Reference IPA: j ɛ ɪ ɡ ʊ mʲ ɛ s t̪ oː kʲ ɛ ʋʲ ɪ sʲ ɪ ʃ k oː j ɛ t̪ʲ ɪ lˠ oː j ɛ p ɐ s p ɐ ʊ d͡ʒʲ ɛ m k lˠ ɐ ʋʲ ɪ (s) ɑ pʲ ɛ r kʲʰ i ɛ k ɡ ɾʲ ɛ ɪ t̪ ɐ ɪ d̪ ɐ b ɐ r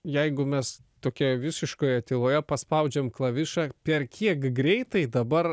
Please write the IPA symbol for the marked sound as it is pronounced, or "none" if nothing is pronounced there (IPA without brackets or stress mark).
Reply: ʃ